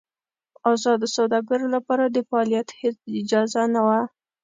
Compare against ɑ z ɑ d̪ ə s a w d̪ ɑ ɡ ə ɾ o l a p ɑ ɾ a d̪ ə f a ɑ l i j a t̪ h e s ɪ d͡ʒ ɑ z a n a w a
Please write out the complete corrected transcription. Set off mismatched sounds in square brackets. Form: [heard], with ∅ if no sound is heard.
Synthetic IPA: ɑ z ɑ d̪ ə s a w d̪ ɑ ɡ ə ɾ o l a p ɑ ɾ a d̪ ə f a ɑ l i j a t̪ h e [t͡s] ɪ d͡ʒ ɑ z a n a w a